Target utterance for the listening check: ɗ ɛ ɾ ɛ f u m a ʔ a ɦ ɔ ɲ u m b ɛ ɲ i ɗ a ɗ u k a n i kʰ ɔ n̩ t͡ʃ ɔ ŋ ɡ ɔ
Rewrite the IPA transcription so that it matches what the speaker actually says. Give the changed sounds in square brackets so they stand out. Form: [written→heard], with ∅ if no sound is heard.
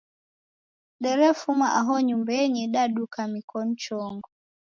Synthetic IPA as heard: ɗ ɛ ɾ ɛ f u m a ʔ a ɦ ɔ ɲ u m b ɛ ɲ i ɗ a ɗ u k a [n→m] i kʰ ɔ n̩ t͡ʃ ɔ ŋ ɡ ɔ